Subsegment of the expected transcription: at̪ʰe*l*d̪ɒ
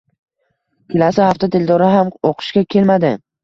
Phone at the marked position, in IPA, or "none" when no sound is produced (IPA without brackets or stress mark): l